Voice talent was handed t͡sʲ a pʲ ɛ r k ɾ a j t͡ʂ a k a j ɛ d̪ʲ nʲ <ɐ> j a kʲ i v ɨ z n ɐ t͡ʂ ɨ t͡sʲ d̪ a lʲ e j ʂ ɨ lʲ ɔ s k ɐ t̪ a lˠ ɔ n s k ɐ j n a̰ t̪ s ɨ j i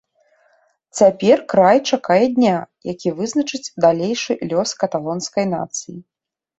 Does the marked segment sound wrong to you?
yes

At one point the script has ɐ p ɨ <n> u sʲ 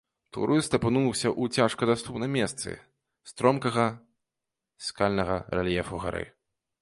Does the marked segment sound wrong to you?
no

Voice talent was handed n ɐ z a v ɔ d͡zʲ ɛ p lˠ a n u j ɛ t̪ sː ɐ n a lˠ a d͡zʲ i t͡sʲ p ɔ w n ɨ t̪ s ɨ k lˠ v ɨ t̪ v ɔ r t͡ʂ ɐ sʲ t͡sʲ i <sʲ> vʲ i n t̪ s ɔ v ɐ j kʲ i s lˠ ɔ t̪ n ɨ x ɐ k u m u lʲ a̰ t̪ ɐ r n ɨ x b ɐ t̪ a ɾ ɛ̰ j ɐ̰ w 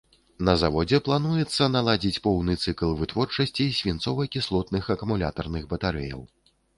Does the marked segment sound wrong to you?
no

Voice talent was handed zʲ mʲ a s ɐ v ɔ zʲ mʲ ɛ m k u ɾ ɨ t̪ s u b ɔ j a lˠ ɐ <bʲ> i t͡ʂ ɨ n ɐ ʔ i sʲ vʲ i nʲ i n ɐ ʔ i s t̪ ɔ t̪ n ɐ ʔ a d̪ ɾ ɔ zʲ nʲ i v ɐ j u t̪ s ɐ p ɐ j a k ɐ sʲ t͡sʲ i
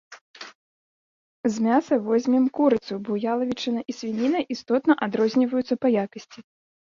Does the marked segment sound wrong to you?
yes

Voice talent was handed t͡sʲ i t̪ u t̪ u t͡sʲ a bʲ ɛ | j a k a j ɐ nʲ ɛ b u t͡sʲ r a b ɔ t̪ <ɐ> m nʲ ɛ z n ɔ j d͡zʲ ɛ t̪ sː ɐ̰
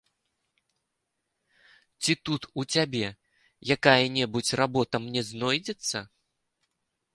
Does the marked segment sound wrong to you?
no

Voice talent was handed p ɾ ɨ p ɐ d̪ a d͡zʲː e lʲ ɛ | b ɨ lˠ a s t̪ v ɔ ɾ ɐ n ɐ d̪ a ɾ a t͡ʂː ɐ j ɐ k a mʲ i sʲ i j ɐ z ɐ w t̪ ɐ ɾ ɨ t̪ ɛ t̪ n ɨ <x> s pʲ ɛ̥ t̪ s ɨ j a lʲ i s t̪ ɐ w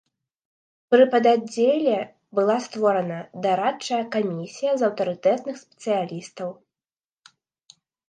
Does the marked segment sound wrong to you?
no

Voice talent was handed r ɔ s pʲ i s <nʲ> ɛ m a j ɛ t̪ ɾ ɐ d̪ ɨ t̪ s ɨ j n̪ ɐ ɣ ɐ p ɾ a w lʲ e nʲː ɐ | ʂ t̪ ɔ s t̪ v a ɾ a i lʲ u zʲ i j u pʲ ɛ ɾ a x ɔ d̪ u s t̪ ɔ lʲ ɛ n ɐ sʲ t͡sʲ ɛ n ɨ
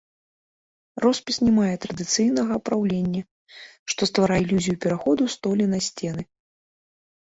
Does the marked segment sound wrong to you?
no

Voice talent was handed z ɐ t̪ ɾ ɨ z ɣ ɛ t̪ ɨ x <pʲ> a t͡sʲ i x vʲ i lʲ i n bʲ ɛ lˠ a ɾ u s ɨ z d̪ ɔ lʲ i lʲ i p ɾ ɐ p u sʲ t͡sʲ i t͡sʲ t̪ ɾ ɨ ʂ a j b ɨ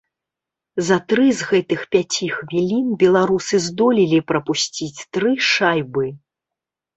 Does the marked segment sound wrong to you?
no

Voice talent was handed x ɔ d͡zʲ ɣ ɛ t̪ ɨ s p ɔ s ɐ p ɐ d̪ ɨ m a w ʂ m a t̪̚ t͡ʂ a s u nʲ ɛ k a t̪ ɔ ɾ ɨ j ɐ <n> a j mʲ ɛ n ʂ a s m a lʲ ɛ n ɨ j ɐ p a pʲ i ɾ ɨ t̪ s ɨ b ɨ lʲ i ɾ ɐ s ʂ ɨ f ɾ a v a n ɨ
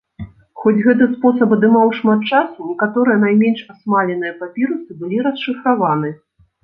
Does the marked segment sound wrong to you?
no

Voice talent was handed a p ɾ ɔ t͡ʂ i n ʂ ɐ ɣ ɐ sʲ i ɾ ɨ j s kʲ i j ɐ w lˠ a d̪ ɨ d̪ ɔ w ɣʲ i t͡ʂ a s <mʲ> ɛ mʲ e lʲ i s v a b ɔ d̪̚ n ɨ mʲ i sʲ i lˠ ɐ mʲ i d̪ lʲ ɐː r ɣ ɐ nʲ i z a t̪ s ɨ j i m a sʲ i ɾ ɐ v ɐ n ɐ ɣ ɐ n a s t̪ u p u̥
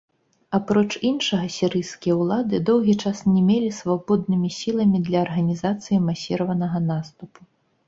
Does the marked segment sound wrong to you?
yes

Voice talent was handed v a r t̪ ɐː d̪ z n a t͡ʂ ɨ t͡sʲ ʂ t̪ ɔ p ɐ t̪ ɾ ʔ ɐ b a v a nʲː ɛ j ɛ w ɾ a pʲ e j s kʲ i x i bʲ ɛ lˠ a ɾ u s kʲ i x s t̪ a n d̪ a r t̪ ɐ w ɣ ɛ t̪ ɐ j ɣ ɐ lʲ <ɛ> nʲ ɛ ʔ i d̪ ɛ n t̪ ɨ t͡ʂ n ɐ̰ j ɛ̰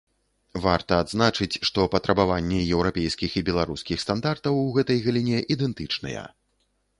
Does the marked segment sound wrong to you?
yes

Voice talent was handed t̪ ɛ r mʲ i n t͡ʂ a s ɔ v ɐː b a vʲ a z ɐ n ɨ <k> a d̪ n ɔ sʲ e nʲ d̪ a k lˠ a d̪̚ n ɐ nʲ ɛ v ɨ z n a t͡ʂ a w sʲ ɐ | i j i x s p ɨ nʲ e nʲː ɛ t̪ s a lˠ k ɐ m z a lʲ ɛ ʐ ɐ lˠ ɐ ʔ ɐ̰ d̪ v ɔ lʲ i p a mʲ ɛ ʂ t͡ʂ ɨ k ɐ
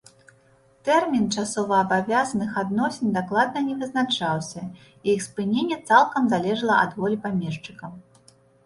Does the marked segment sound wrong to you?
yes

